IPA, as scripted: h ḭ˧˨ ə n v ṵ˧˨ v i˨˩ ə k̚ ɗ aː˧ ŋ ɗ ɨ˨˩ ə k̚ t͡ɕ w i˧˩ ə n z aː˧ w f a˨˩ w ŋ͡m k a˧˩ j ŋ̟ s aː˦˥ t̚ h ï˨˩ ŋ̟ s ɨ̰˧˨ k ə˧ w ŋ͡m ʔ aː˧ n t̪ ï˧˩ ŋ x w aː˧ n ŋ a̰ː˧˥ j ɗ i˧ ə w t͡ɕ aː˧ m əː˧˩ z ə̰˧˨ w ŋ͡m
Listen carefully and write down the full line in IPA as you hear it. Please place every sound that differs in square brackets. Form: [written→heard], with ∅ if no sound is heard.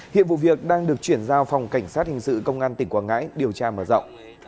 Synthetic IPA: h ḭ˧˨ ə n v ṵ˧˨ v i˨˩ ə k̚ ɗ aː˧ ŋ ɗ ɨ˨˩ ə k̚ t͡ɕ w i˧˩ ə n z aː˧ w f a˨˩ w ŋ͡m k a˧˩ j ŋ̟ s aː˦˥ t̚ h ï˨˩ ŋ̟ s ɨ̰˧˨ k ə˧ w ŋ͡m ʔ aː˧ n t̪ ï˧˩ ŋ [x→k] w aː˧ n ŋ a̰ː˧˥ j ɗ [i˧→i˨˩] ə w t͡ɕ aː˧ m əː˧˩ z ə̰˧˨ w ŋ͡m